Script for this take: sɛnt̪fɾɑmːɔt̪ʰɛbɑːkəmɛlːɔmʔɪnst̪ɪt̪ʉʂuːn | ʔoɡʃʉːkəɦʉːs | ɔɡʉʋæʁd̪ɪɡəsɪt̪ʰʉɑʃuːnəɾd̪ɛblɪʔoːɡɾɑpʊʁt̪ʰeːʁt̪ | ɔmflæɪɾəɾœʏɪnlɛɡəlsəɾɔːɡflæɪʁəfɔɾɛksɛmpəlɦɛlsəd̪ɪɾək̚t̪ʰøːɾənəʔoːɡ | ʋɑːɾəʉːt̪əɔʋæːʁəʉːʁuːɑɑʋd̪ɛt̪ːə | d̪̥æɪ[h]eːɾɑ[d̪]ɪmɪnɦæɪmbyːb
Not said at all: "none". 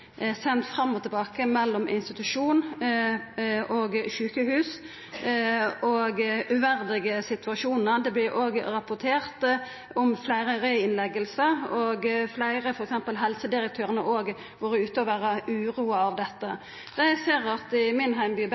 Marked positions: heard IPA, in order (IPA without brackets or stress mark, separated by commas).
s, t̪